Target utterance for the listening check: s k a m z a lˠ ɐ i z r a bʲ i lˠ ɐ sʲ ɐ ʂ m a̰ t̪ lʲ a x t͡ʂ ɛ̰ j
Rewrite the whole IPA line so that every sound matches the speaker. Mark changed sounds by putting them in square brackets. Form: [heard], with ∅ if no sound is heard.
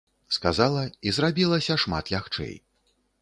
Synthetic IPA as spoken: s k a [∅] z a lˠ ɐ i z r a bʲ i lˠ ɐ sʲ ɐ ʂ m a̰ t̪ lʲ a x t͡ʂ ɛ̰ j